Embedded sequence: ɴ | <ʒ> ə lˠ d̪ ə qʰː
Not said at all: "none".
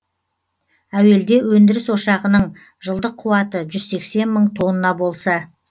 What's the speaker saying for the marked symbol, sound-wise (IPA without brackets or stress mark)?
ʒ